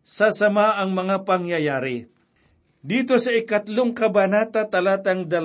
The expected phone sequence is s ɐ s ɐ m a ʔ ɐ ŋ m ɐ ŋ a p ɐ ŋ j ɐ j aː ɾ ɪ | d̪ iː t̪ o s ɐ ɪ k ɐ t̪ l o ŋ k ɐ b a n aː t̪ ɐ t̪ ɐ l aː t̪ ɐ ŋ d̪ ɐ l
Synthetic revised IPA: s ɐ s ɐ m a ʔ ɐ ŋ m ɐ ŋ a p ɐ ŋ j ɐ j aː ɾ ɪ | d̪ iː t̪ o s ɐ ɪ k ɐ t̪ l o ŋ k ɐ b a n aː t̪ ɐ t̪ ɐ l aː t̪ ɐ ŋ d̪ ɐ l